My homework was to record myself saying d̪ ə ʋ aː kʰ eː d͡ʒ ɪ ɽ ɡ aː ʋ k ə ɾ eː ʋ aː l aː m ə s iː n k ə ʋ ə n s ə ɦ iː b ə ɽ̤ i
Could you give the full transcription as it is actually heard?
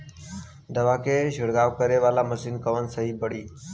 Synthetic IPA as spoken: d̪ ə ʋ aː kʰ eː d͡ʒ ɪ ɽ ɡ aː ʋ k ə ɾ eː ʋ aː l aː m ə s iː n k ə ʋ ə n s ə ɦ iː b ə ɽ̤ iː